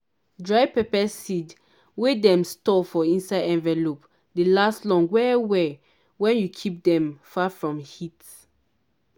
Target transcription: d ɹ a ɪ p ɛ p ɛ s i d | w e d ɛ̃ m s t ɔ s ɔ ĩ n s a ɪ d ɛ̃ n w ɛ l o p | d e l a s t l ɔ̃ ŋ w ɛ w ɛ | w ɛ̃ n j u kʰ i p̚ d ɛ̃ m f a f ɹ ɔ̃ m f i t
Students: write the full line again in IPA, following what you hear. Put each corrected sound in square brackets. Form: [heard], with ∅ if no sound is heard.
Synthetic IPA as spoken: d ɹ a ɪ p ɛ p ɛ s i d | w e d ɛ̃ m s t ɔ [f] ɔ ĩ n s a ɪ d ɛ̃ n [v] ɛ l o p | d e l a s t l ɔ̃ ŋ w ɛ w ɛ | w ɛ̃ n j u kʰ i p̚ d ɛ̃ m f a f ɹ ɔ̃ m [h] i t